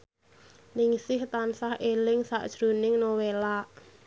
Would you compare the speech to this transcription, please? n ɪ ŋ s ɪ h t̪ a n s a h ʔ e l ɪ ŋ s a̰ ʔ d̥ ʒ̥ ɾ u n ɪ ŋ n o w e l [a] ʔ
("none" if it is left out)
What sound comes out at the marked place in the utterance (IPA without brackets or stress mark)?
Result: a